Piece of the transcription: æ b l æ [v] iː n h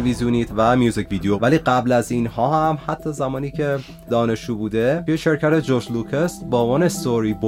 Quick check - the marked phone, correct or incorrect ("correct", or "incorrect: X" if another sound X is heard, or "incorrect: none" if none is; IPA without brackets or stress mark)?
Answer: incorrect: z